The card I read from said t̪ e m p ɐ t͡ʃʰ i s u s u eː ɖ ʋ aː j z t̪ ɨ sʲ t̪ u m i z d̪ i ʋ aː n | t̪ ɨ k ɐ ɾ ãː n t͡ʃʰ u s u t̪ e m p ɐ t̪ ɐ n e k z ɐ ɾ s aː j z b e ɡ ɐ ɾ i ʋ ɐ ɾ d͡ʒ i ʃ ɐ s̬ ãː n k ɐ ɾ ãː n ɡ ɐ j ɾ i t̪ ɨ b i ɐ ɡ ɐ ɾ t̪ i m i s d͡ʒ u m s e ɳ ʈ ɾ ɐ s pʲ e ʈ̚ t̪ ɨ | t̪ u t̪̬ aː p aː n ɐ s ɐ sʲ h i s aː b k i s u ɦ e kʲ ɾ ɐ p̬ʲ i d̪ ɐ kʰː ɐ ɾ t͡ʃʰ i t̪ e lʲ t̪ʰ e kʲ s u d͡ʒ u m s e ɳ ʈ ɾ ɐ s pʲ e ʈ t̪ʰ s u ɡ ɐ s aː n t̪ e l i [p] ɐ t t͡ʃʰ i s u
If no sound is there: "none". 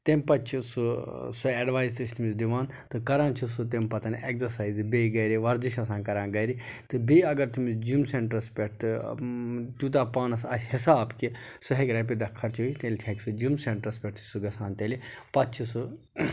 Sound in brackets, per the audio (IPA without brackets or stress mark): p